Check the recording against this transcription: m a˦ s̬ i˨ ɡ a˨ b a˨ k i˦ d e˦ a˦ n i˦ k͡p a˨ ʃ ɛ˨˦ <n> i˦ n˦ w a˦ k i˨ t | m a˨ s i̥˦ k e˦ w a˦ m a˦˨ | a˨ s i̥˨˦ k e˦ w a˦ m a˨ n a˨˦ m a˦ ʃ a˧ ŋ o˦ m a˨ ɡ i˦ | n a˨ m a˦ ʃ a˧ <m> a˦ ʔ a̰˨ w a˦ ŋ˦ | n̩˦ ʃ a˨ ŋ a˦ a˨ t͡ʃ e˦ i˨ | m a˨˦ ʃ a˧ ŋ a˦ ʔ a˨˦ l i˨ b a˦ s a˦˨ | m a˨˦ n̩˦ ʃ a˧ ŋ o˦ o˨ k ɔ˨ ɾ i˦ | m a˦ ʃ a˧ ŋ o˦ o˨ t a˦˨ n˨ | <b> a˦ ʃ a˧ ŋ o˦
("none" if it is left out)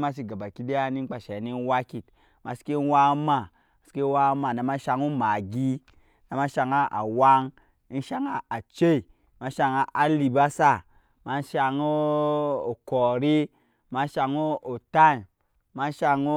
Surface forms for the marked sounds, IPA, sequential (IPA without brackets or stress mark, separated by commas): n, ŋ, m